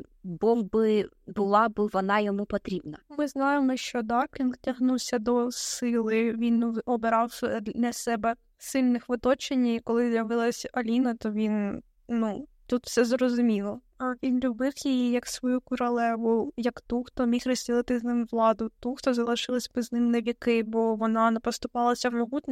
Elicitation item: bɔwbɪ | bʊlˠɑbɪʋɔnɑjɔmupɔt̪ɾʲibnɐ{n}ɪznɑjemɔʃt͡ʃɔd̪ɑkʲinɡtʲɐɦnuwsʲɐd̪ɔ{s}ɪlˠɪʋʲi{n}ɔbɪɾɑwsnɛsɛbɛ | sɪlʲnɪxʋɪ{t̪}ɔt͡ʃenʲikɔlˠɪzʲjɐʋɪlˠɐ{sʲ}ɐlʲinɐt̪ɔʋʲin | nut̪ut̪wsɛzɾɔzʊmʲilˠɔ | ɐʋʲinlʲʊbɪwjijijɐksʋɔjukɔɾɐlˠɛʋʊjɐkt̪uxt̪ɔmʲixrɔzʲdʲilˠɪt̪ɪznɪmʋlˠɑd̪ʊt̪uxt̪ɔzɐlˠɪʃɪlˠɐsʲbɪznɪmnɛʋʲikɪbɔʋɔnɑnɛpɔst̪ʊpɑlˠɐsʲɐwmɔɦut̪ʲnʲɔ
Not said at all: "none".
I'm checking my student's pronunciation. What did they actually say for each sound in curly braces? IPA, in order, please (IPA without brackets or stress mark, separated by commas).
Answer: m, s, n, t̪, sʲ